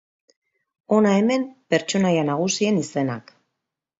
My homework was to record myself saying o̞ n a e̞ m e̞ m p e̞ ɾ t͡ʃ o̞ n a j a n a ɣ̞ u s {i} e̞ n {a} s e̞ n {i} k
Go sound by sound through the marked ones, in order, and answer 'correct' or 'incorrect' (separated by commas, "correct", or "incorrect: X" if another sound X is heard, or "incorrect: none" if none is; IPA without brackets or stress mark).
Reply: correct, incorrect: i, incorrect: a